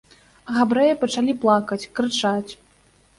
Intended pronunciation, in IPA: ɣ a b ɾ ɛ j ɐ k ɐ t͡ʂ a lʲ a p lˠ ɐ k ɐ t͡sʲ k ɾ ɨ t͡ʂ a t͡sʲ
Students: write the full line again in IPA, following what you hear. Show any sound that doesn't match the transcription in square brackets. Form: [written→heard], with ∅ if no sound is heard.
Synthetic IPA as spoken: ɣ a b ɾ ɛ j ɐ [k→p] ɐ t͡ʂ a lʲ [a→i] p lˠ [ɐ→a] k ɐ t͡sʲ k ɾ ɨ t͡ʂ a t͡sʲ